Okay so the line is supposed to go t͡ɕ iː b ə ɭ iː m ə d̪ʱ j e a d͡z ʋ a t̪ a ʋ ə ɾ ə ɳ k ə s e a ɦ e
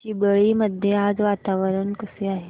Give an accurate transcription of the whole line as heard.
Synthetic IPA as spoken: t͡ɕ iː b ə ɭ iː m ə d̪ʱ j e a d͡z ʋ a t̪ a ʋ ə ɾ ə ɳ k ə s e a ɦ e